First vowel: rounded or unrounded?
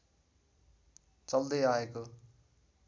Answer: unrounded